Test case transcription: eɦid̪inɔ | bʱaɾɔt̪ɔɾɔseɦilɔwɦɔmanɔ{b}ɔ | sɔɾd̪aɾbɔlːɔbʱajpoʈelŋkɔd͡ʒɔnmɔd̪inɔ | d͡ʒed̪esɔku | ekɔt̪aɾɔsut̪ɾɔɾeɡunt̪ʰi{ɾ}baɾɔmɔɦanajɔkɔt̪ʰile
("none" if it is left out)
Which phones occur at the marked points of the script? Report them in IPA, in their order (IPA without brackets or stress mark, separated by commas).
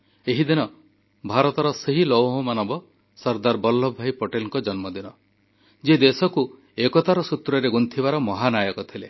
b, none